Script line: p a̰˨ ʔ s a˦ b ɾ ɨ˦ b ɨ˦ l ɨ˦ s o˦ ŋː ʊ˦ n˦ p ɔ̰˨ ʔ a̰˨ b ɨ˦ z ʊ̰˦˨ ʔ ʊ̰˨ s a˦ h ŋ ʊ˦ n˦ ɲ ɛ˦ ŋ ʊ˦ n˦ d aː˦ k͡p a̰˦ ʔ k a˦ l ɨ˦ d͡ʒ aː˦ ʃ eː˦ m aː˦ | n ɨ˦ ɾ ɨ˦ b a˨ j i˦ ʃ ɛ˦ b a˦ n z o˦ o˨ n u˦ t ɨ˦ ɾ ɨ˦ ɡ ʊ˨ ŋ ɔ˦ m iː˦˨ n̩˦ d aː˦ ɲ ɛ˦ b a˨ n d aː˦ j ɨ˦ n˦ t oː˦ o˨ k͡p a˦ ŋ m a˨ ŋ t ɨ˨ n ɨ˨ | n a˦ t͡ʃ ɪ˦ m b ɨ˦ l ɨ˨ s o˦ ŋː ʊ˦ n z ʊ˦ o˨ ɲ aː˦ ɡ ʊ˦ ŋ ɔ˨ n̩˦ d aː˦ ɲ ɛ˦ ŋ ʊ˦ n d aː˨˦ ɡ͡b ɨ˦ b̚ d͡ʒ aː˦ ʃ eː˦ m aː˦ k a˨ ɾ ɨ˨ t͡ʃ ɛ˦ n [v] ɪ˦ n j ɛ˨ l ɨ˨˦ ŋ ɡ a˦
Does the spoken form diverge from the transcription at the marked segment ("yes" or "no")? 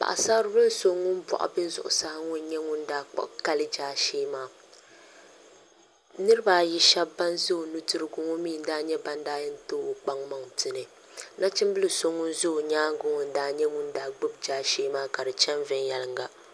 no